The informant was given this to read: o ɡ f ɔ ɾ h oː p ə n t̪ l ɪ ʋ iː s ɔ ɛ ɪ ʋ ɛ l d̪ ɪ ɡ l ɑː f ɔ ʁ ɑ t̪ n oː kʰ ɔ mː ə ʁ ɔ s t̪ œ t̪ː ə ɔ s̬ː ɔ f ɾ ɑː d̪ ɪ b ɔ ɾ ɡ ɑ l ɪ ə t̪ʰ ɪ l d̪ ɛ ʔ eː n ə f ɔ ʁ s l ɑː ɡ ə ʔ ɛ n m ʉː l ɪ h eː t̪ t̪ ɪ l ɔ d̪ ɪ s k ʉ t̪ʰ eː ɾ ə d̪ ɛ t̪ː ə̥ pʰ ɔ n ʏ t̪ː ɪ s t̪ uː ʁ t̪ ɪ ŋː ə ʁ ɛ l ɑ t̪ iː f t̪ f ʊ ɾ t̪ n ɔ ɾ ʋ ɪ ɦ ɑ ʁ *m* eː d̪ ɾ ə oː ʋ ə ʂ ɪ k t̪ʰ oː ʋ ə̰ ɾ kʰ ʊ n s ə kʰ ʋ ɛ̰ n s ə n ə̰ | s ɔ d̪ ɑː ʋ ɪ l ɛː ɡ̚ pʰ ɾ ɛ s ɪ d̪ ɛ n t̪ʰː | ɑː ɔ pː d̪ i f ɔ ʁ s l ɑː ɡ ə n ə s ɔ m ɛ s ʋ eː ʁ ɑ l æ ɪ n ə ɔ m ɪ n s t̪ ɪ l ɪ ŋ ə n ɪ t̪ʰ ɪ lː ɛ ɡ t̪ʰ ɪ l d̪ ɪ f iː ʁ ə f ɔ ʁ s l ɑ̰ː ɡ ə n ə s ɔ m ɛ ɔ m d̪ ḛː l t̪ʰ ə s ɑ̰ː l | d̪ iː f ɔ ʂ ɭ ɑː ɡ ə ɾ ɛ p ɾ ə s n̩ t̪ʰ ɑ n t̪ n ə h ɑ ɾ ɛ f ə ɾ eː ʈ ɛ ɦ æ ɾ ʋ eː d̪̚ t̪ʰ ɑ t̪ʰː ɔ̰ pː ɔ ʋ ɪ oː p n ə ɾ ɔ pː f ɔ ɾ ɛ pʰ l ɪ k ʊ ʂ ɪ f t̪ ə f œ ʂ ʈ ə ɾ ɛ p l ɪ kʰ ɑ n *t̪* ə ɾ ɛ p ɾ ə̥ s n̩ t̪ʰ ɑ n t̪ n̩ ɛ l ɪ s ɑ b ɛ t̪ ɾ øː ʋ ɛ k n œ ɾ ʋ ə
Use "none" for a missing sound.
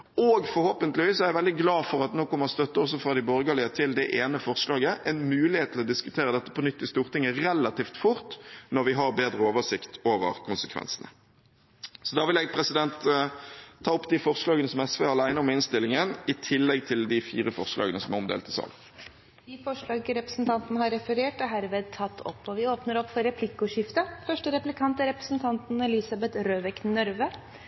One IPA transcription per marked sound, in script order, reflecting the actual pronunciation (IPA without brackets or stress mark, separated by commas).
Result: b, t̪